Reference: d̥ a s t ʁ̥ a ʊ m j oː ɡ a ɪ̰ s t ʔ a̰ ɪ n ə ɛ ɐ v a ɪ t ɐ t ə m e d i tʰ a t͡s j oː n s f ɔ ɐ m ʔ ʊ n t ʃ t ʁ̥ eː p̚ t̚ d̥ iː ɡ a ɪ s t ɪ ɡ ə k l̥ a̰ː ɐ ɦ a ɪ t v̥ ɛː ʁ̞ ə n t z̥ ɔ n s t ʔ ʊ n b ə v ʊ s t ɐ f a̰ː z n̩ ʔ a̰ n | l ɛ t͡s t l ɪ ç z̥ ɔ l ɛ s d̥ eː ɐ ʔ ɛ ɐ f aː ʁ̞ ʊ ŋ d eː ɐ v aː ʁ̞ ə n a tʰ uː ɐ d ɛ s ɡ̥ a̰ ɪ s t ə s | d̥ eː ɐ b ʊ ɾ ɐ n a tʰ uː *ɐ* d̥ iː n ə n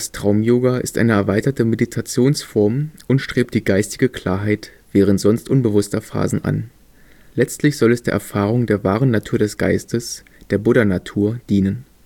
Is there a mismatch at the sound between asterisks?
no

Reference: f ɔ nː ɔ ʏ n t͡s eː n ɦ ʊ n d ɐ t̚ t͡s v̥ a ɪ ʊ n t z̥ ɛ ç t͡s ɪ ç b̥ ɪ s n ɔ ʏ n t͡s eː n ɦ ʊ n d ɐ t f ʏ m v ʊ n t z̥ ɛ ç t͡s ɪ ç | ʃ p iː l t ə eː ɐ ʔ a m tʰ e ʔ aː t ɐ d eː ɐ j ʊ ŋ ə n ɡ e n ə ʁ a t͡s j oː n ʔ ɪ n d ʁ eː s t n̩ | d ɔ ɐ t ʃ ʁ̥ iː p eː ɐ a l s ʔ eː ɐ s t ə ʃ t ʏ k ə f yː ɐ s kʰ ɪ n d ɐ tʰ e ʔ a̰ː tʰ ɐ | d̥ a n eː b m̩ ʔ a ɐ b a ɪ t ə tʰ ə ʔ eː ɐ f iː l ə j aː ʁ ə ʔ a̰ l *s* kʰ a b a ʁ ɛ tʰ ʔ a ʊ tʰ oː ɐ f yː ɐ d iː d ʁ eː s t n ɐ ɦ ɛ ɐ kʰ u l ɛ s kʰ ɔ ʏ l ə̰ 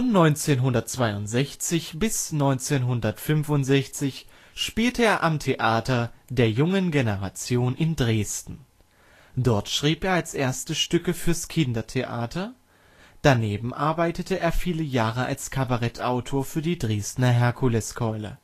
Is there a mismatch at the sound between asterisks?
no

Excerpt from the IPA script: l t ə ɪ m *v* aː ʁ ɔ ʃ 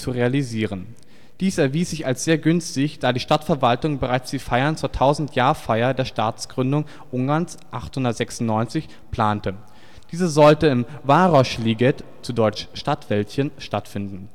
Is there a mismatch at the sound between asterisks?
no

